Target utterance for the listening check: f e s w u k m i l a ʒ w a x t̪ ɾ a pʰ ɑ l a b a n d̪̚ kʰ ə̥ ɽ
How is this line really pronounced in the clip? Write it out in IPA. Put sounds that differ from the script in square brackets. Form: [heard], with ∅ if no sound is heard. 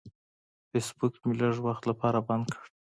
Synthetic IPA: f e s [b] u k m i l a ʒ w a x t̪ [l] a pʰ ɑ [ɾ] a b a n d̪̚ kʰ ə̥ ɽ